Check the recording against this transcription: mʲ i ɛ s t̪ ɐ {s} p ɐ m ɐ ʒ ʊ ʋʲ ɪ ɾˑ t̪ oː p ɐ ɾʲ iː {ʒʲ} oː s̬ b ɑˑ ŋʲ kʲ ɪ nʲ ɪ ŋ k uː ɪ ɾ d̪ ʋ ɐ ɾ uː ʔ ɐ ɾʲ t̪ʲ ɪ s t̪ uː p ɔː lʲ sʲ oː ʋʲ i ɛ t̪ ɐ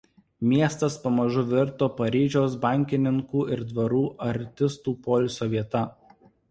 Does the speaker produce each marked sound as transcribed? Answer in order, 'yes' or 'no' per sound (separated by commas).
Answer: yes, yes